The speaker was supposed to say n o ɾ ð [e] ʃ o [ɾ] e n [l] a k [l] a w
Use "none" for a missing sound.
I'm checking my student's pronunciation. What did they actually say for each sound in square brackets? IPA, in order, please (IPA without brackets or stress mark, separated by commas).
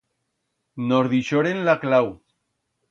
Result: i, ɾ, l, l